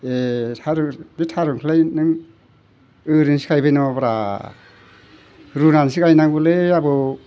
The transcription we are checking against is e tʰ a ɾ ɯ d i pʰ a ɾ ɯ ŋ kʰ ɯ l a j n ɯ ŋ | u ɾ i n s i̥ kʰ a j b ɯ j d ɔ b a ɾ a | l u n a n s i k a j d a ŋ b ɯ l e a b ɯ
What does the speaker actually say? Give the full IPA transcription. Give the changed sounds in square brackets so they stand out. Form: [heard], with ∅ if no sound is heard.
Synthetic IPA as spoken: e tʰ a ɾ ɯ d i [tʰ] a ɾ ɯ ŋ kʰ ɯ l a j n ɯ ŋ | [ɯ] ɾ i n s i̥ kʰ a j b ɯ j [n] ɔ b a ɾ a | [ɾ] u n a n s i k a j [n] a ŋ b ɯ l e a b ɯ